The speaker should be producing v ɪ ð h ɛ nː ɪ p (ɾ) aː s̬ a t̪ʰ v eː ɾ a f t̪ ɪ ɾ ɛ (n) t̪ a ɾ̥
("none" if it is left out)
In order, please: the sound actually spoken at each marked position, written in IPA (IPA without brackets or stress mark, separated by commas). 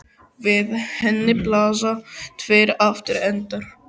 l, n